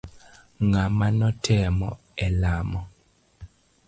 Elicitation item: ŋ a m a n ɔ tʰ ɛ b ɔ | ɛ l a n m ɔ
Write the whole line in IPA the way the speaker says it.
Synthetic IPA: ŋ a m a n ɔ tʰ ɛ m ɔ | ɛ l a m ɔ